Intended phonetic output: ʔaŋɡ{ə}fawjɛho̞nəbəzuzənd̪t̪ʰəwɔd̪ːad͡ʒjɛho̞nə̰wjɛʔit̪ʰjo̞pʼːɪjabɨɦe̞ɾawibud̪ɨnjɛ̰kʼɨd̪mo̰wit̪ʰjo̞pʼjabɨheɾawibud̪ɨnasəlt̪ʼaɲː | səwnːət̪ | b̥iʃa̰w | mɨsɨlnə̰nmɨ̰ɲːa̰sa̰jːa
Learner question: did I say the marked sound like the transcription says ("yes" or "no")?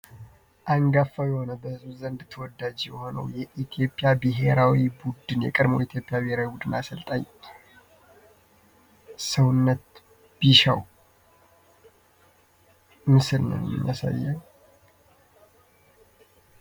no